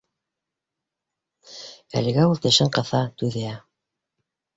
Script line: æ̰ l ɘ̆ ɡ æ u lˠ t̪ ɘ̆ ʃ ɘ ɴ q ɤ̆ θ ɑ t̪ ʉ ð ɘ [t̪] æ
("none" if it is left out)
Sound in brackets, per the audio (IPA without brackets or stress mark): none